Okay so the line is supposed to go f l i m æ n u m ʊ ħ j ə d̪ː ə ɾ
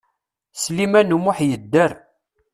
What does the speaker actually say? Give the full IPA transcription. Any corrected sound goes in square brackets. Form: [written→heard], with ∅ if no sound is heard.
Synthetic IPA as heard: [f→s] l i m æ n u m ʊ ħ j ə d̪ː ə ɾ